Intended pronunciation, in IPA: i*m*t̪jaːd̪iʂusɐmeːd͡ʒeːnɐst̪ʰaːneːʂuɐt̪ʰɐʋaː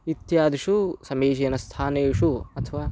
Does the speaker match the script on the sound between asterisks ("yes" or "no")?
no